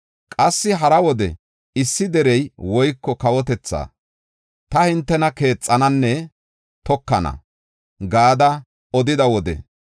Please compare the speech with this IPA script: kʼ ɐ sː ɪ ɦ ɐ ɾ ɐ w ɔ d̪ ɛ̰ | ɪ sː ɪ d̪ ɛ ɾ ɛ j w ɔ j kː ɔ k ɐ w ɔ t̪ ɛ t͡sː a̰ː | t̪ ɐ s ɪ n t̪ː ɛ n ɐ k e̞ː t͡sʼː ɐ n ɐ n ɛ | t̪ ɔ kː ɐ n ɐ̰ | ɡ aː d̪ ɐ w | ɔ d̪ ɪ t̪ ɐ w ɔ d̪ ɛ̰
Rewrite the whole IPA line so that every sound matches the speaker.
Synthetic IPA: kʼ ɐ sː ɪ ɦ ɐ ɾ ɐ w ɔ d̪ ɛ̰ | ɪ sː ɪ d̪ ɛ ɾ ɛ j w ɔ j kː ɔ k ɐ w ɔ t̪ ɛ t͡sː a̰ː | t̪ ɐ h ɪ n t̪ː ɛ n ɐ k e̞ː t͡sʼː ɐ n ɐ nː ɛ | t̪ ɔ kː ɐ n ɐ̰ | ɡ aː d̪ ɐ | ɔ d̪ ɪ d̪ ɐ w ɔ d̪ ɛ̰